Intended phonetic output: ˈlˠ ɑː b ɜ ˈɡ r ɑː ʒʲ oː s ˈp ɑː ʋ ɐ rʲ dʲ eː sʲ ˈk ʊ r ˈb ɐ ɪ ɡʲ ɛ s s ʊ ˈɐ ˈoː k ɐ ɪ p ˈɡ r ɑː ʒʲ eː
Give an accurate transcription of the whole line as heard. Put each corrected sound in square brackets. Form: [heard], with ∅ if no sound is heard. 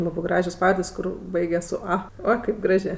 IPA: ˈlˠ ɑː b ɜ ˈɡ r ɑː ʒʲ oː s ˈp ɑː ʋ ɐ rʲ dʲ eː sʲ ˈk ʊ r ˈb ɐ ɪ ɡʲ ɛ s s ʊ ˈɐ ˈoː k ɐ ɪ p ˈɡ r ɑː ʒʲ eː

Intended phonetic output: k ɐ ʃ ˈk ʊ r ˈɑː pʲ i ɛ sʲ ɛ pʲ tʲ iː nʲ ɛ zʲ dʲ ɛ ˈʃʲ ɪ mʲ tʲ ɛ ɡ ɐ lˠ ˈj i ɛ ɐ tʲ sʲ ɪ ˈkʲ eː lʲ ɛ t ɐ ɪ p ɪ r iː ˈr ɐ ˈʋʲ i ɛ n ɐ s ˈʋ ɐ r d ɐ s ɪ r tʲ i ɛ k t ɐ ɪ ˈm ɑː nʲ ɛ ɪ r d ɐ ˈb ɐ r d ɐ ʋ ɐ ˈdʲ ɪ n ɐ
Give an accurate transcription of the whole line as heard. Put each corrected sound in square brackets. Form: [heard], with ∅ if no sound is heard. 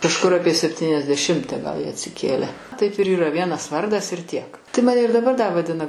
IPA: k ɐ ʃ ˈk ʊ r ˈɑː pʲ i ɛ sʲ ɛ pʲ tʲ iː nʲ ɛ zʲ dʲ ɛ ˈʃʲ ɪ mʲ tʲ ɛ ɡ ɐ lˠ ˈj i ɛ ɐ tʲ sʲ ɪ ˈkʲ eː lʲ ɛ t ɐ ɪ p ɪ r iː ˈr ɐ ˈʋʲ i ɛ n ɐ s ˈʋ ɐ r d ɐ s ɪ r tʲ i ɛ k t ɐ ɪ ˈm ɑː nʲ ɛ ɪ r d ɐ ˈb ɐ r d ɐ ʋ ɐ ˈdʲ ɪ n ɐ

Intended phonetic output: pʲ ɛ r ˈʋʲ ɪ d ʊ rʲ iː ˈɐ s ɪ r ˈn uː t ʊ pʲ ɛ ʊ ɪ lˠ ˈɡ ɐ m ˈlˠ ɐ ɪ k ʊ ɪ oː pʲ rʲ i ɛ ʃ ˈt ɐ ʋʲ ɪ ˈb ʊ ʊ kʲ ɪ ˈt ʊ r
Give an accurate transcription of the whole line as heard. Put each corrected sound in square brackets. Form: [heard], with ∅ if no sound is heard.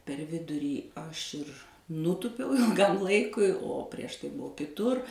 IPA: pʲ ɛ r ˈʋʲ ɪ d ʊ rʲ iː ˈɐ [ʃ] ɪ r ˈn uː t ʊ pʲ ɛ ʊ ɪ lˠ ˈɡ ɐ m ˈlˠ ɐ ɪ k ʊ ɪ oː pʲ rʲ i ɛ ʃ ˈt ɐ [∅] ɪ ˈb ʊ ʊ kʲ ɪ ˈt ʊ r

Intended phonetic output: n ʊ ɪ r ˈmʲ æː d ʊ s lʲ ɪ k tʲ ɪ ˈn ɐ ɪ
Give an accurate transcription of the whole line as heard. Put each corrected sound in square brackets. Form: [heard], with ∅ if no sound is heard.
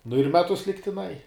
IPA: n ʊ ɪ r ˈmʲ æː [t] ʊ s lʲ ɪ k tʲ ɪ ˈn ɐ ɪ

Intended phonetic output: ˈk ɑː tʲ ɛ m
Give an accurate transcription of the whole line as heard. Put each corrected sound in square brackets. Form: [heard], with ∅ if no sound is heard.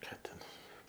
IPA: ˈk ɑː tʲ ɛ [n]

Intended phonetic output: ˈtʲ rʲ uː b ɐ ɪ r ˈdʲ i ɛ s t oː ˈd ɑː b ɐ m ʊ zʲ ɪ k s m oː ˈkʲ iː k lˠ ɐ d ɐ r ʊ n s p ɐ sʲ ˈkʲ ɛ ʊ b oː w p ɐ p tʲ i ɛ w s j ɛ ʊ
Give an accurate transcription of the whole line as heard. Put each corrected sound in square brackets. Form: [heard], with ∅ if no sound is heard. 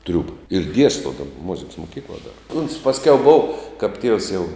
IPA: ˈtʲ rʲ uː b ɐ ɪ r ˈdʲ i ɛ s t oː ˈd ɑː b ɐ m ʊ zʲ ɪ k s m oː ˈkʲ iː k lˠ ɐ d ɐ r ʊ n s p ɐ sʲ ˈkʲ ɛ ʊ b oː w [k] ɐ p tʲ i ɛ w s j ɛ ʊ

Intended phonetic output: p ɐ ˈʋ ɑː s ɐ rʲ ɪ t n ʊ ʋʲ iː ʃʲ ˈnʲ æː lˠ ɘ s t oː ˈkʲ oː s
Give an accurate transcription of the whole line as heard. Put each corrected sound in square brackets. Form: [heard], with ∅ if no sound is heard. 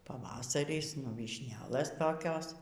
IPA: p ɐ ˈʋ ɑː s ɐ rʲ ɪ [s] n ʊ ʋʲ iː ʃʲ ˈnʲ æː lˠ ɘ s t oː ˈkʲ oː s

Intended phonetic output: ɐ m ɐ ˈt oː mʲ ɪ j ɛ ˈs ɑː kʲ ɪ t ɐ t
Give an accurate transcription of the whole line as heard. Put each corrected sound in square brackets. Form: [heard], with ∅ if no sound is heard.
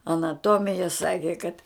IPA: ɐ [n] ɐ ˈt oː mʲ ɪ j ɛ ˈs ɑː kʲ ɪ [k] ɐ t

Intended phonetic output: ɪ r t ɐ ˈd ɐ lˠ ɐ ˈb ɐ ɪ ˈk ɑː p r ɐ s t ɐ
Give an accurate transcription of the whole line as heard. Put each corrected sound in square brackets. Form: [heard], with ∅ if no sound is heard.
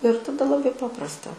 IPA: ɪ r t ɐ ˈd ɐ lˠ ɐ ˈb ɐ ɪ [ˈp] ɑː p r ɐ s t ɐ

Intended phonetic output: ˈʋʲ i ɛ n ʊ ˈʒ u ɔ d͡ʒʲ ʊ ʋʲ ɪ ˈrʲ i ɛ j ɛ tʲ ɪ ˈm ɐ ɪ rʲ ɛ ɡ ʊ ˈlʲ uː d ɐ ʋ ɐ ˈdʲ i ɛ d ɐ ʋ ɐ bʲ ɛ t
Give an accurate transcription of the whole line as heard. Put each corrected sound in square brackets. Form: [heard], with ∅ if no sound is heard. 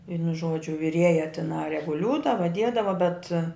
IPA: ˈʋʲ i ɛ n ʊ ˈʒ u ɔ d͡ʒʲ ʊ ʋʲ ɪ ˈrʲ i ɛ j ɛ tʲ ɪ [ˈn] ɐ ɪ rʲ ɛ ɡ ʊ ˈlʲ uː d ɐ ʋ ɐ ˈdʲ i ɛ d ɐ ʋ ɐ bʲ ɛ t

